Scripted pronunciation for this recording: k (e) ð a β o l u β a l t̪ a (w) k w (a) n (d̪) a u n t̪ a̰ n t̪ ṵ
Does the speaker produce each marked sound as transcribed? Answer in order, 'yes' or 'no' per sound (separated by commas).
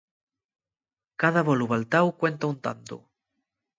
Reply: no, yes, no, no